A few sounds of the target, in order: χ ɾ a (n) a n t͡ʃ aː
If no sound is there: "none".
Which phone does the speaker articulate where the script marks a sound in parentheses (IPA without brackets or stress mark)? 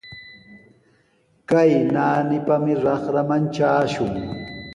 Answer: m